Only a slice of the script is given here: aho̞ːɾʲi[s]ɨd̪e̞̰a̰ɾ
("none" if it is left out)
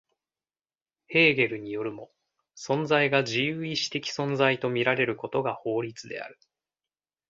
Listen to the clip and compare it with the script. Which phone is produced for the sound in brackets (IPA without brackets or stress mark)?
t͡s